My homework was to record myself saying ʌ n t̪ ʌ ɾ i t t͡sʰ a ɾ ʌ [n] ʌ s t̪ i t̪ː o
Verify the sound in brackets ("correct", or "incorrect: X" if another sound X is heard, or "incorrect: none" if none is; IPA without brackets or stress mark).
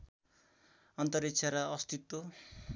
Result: incorrect: none